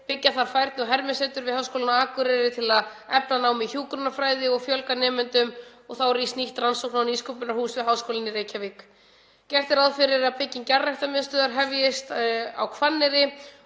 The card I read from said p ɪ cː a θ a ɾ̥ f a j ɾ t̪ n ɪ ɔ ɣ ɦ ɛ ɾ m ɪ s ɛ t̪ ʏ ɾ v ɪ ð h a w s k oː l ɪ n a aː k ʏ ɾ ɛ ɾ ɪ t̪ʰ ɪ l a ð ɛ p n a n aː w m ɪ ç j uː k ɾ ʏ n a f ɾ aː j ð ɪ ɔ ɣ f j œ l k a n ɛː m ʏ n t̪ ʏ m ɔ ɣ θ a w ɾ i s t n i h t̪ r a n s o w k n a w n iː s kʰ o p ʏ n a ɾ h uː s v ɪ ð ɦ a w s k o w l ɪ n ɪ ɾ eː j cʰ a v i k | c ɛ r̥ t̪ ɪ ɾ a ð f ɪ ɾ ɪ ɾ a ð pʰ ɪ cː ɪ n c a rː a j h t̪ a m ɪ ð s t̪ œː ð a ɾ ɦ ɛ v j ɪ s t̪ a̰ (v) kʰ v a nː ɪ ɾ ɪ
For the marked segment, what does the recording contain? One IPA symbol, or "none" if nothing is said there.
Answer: w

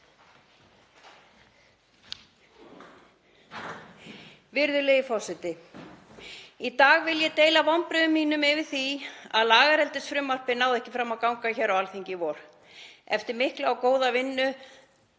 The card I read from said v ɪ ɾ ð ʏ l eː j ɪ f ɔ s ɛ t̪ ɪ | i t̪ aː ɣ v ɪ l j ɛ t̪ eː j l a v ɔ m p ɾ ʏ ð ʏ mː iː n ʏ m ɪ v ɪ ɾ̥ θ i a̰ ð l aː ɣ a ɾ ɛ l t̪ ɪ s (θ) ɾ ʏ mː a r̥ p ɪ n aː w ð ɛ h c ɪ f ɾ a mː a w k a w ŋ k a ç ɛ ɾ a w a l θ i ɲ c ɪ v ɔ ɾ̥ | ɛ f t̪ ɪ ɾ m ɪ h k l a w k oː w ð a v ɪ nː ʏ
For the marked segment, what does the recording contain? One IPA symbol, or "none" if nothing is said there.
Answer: f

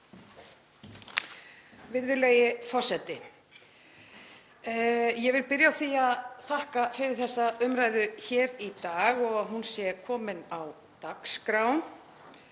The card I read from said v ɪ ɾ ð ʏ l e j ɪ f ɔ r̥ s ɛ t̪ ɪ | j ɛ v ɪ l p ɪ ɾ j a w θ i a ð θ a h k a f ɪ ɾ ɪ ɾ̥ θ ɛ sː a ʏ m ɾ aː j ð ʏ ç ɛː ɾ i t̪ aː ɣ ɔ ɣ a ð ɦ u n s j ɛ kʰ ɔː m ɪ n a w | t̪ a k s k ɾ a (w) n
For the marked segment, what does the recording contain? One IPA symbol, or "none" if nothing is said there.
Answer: w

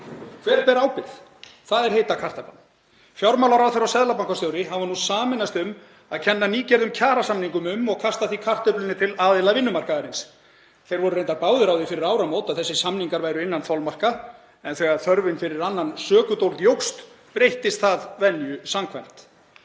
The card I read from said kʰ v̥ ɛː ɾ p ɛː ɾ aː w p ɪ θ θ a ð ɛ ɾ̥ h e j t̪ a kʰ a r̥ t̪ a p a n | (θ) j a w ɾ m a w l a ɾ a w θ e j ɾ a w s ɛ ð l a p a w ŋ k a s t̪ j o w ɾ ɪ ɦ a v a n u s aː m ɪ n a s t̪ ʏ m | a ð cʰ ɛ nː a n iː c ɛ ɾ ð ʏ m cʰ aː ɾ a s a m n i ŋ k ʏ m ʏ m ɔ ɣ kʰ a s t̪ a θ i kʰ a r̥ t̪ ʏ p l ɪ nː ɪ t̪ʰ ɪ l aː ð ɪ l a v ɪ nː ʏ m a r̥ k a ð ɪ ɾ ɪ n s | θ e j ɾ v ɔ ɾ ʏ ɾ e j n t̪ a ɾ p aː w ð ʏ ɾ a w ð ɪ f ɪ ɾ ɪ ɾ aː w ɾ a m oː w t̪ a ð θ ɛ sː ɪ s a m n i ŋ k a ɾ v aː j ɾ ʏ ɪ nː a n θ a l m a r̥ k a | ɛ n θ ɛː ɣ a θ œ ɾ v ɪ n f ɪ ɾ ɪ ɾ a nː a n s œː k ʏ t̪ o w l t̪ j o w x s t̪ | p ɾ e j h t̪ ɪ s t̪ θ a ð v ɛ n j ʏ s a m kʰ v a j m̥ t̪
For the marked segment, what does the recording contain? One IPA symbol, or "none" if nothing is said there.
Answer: f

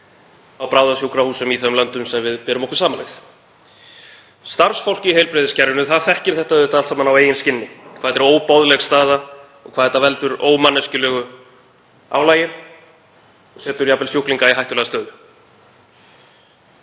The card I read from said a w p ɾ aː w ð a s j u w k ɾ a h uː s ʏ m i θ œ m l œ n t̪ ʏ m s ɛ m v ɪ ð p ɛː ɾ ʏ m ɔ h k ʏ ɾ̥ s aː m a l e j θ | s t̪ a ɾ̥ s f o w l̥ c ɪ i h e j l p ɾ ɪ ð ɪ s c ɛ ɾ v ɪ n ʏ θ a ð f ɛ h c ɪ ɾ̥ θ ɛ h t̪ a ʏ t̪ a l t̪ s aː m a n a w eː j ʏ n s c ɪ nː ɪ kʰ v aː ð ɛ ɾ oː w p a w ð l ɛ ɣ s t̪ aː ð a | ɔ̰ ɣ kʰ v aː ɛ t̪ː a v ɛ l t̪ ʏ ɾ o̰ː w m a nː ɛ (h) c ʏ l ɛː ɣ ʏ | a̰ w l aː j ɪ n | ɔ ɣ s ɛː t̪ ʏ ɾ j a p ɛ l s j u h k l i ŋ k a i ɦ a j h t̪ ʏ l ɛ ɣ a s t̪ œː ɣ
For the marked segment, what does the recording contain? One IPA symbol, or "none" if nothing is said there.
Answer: s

